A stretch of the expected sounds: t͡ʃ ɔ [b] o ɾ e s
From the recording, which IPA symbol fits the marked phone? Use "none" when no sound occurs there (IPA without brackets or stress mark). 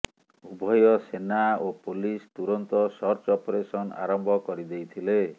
p